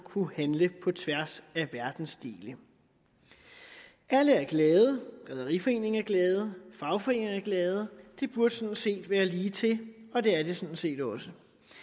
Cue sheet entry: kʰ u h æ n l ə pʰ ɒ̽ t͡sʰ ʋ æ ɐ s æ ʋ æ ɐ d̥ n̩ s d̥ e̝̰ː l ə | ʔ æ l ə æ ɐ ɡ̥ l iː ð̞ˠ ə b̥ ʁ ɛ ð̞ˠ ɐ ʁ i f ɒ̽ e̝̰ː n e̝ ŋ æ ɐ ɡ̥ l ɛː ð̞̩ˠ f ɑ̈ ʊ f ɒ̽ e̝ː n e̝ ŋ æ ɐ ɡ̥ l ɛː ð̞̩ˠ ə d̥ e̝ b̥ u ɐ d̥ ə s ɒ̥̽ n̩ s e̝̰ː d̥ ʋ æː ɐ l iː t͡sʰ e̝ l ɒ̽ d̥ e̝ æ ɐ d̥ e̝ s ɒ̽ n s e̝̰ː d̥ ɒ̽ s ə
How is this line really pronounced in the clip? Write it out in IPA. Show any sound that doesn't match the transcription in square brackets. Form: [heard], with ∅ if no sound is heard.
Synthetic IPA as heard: kʰ u h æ n l ə pʰ ɒ̽ t͡sʰ ʋ æ ɐ s æ ʋ æ ɐ d̥ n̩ s d̥ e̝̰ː l ə | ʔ æ l ə æ ɐ ɡ̥ l [ɛː] ð̞ˠ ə [ɡ̥] ʁ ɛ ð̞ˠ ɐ ʁ i f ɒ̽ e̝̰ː n e̝ ŋ æ ɐ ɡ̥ l ɛː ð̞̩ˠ f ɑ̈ ʊ f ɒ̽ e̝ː n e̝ ŋ æ ɐ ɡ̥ l ɛː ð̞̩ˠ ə d̥ e̝ b̥ u ɐ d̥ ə s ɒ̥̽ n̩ s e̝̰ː d̥ ʋ æː ɐ l iː t͡sʰ e̝ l ɒ̽ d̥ e̝ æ ɐ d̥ e̝ s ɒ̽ n s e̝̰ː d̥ ɒ̽ s ə